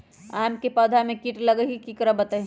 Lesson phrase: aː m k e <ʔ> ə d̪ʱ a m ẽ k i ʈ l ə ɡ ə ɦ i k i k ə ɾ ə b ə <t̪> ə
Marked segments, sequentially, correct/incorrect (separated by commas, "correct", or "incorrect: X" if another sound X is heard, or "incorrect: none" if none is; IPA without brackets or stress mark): incorrect: p, correct